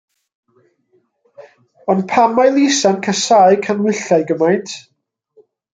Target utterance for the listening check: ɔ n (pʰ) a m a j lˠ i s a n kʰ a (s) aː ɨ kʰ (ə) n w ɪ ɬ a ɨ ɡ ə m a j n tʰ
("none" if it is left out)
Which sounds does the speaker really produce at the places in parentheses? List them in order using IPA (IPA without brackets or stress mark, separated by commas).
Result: pʰ, s, a